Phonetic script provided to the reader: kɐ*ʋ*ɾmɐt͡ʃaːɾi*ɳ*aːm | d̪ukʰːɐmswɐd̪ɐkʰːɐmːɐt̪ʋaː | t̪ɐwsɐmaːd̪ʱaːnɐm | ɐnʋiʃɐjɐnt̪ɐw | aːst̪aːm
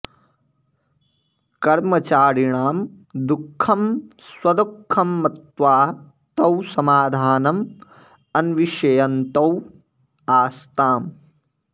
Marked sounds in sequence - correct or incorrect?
incorrect: none, correct

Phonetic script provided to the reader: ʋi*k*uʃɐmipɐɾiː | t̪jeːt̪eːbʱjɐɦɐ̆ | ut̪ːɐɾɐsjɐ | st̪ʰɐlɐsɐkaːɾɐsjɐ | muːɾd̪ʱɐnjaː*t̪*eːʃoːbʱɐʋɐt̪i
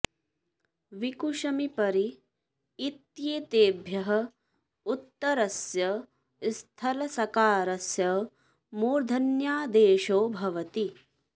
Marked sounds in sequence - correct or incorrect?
correct, incorrect: d̪

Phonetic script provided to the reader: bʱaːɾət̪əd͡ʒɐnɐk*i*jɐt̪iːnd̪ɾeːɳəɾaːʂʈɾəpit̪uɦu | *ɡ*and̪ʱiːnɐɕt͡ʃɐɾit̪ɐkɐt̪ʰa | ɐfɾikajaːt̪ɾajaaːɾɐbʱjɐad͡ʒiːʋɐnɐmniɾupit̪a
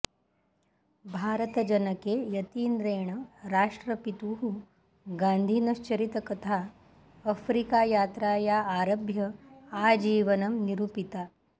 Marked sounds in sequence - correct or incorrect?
incorrect: e, correct

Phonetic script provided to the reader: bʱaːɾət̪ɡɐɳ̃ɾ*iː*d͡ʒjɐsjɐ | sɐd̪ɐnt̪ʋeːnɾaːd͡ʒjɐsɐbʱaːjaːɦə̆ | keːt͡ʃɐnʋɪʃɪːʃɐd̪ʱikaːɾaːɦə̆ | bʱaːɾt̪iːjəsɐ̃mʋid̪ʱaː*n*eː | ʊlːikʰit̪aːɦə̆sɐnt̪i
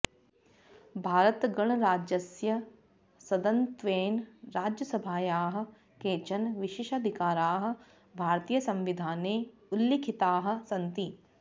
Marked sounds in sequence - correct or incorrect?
incorrect: aː, correct

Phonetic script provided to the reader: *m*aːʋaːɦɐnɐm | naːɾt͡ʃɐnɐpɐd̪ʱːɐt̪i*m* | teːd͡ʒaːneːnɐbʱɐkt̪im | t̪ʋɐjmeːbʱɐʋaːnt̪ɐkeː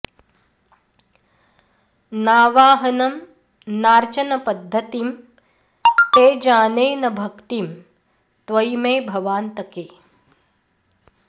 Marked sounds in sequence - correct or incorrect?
incorrect: n, correct

